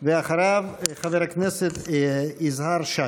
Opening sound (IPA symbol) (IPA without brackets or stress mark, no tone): v